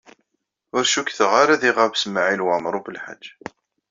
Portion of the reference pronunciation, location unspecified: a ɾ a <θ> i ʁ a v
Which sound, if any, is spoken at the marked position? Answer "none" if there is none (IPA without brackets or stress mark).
ð